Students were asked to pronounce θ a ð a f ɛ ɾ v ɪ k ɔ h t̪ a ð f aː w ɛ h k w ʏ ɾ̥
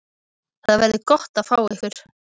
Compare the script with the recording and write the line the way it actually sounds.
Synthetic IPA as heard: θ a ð a v ɛ ɾ ð ɪ k ɔ h t̪ a ð f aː w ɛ h k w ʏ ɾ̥